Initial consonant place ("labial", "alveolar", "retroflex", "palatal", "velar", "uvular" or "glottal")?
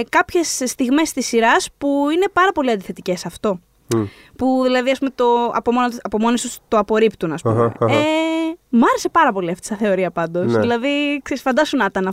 velar